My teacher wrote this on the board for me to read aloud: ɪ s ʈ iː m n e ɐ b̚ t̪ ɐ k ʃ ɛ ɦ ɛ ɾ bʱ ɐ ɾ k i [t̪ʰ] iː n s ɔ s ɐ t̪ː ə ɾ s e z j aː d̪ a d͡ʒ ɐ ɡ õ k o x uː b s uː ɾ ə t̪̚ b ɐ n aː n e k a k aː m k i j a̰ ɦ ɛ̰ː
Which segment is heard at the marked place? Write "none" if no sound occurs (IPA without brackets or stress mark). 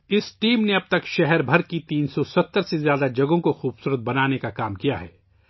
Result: t̪